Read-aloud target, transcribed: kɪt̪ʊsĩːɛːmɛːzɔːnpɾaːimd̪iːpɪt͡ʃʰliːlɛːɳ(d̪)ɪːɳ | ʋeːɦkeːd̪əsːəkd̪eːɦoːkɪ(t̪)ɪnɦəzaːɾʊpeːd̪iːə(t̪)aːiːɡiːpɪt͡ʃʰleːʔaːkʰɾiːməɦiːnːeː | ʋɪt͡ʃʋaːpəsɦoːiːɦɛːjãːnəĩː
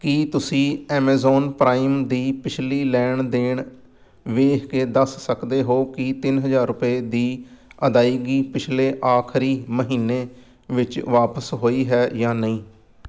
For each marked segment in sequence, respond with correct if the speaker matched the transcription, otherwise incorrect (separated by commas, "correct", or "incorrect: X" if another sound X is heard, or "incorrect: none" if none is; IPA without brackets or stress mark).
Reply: correct, correct, incorrect: d̪